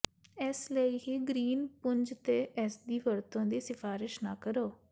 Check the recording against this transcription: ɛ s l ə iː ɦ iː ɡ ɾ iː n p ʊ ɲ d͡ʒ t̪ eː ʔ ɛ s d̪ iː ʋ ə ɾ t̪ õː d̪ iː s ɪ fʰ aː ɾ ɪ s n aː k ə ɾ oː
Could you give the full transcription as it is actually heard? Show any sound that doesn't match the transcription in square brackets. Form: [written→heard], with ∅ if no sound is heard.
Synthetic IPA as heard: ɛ s l ə iː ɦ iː ɡ ɾ iː n p ʊ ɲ d͡ʒ t̪ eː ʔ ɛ s d̪ iː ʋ ə ɾ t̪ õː d̪ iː s ɪ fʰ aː ɾ ɪ [s→ʃ] n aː k ə ɾ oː